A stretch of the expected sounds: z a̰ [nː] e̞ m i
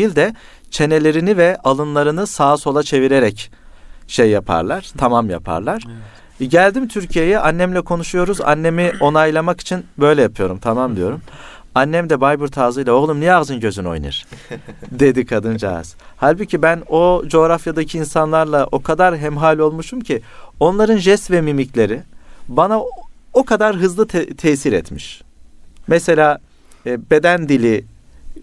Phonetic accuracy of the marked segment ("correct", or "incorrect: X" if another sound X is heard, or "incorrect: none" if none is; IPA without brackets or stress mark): correct